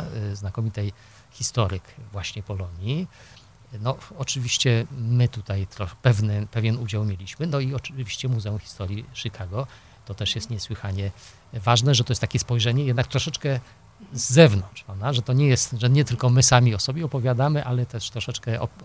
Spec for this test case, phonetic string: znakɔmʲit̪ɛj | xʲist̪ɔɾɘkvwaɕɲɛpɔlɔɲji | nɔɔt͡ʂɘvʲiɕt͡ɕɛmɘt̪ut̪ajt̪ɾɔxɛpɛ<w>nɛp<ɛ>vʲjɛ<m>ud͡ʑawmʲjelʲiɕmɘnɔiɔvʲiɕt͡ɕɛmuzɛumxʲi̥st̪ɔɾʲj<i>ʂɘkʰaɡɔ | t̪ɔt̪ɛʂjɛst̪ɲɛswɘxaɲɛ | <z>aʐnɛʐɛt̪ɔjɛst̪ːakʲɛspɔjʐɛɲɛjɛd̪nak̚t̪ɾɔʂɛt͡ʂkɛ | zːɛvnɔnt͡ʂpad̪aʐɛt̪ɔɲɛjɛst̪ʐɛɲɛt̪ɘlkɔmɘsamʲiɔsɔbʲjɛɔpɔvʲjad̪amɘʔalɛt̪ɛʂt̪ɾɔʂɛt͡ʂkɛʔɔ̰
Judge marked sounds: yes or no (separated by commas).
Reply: no, yes, no, yes, no